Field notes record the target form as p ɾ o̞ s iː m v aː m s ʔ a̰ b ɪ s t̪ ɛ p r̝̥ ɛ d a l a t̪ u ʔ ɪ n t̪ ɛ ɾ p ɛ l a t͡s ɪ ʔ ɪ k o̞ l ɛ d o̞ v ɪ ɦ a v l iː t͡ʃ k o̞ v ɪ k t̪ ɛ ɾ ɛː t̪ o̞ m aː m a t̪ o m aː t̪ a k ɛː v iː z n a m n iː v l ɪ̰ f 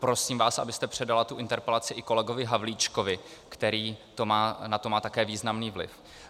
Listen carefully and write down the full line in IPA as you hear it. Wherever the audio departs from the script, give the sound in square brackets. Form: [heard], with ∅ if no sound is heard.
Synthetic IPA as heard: p ɾ o̞ s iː m v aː [∅] s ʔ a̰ b ɪ s t̪ ɛ p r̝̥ ɛ d a l a t̪ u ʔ ɪ n t̪ ɛ ɾ p ɛ l a t͡s ɪ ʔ ɪ k o̞ l ɛ [ɡ] o̞ v ɪ ɦ a v l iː t͡ʃ k o̞ v ɪ k t̪ ɛ ɾ [iː] t̪ o̞ m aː [n] a t̪ o m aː t̪ a k ɛː v iː z n a m n iː v l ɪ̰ f